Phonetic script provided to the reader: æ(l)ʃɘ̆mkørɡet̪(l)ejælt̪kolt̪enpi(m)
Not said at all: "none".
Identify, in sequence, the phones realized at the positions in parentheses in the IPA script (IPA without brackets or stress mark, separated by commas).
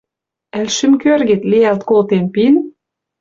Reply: l, l, n